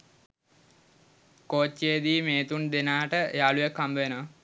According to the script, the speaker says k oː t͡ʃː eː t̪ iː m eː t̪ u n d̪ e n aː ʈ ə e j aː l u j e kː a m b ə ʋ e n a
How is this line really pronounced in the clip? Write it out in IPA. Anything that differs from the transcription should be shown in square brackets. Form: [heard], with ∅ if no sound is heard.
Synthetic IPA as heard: k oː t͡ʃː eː [d̪] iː m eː t̪ u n d̪ e n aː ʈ ə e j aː l u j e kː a m b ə ʋ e n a